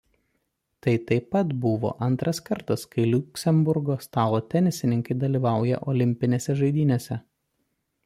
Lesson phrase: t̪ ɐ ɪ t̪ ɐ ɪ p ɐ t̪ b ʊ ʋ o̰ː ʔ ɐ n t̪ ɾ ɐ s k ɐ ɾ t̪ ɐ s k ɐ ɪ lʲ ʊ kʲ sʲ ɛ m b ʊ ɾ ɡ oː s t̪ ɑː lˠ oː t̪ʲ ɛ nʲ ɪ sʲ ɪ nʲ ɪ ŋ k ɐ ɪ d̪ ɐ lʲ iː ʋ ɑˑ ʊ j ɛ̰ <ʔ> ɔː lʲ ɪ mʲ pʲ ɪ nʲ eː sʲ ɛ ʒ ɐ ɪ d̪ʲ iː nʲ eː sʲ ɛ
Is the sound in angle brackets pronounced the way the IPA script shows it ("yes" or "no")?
yes